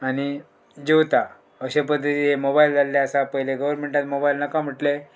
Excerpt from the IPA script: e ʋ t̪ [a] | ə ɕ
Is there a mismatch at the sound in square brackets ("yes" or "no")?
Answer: no